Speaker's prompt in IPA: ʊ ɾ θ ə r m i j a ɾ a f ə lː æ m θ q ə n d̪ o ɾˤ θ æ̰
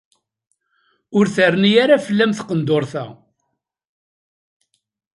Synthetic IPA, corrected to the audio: ʊ ɾ θ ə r n i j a ɾ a f ə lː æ m θ q ə n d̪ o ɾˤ θ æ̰